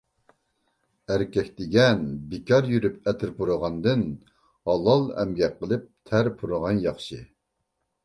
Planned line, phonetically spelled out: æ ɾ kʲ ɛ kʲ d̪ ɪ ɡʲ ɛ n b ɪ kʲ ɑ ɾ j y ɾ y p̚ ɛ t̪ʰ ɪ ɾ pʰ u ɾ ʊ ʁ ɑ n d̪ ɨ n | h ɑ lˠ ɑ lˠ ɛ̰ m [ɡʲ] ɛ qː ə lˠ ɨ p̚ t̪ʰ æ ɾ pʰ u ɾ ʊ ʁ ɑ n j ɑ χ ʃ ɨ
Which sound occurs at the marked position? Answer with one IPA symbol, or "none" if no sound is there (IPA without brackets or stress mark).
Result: ɡʲ